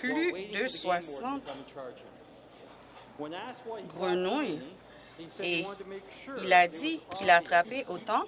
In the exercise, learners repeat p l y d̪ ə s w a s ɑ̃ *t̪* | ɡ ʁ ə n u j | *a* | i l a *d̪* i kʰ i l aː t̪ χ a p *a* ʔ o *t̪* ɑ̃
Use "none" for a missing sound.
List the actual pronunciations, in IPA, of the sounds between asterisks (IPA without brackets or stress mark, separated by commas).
t̪, e, d̪, e, t̪